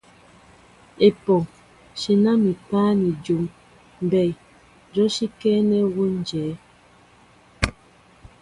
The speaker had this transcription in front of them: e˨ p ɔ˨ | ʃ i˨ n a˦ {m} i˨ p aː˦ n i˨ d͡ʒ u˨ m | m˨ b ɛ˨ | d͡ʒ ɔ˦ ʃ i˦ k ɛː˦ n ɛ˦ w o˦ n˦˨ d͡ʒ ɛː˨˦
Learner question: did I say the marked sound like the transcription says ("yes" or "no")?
yes